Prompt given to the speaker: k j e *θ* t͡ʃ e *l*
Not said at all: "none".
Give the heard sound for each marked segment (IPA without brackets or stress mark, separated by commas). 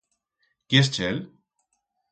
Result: s, l